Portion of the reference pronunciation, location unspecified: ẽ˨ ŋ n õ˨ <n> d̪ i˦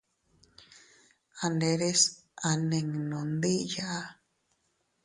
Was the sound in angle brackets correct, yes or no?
yes